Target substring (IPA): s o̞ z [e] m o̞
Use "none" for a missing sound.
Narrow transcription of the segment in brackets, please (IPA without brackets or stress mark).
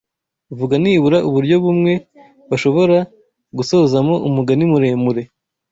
a